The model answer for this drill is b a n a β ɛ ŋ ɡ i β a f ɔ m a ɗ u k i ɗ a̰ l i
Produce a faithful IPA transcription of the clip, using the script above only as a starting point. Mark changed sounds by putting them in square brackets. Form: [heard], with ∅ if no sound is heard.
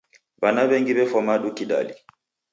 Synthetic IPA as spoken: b a n a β ɛ ŋ ɡ i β [ɛ] f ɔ m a ɗ u k i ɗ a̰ l i